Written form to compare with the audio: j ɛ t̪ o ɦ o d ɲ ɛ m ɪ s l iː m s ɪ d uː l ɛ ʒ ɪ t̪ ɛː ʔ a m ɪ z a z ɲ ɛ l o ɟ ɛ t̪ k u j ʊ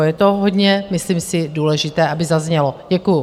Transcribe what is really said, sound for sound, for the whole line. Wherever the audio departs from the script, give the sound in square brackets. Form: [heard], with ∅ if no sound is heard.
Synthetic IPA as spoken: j ɛ t̪ o ɦ o d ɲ ɛ m ɪ s l iː m s ɪ d uː l ɛ ʒ ɪ t̪ ɛː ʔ a [b] ɪ z a z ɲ ɛ l o ɟ ɛ [∅] k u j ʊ